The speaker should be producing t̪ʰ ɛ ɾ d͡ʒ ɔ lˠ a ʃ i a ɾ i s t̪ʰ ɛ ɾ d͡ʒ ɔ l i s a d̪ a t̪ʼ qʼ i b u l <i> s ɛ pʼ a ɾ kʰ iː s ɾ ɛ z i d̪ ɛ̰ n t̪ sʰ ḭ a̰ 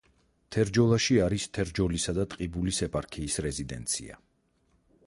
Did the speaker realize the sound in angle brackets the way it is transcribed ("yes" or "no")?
yes